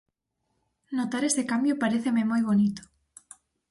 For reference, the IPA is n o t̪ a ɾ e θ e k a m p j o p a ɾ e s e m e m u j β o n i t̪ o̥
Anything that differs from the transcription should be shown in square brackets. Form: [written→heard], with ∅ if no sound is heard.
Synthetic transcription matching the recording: n o t̪ a ɾ e [θ→s] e k a m [p→b] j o p a ɾ e [s→θ] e m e m [u→o] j β o n i t̪ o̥